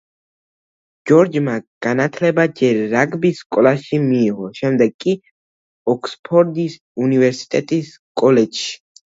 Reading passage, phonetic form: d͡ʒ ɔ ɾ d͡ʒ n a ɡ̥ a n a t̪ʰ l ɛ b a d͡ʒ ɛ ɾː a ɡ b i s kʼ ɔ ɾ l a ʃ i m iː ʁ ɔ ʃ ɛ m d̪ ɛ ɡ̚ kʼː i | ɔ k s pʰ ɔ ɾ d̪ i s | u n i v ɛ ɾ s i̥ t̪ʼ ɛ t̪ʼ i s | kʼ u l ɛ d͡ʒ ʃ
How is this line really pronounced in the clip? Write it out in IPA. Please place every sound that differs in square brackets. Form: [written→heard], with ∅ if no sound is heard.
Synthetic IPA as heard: d͡ʒ ɔ ɾ d͡ʒ [n→m] a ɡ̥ a n a t̪ʰ l ɛ b a d͡ʒ ɛ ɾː a ɡ b i s kʼ ɔ [ɾ→∅] l a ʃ i m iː ʁ ɔ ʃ ɛ m d̪ ɛ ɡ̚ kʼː i | ɔ k s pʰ ɔ ɾ d̪ i s | u n i v ɛ ɾ s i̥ t̪ʼ ɛ t̪ʼ i s | kʼ [u→ɔ] l ɛ d͡ʒ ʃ